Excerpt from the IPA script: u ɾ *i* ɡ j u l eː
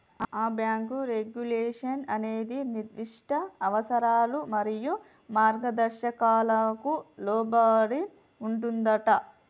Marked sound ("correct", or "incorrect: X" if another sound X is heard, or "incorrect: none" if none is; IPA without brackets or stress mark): incorrect: e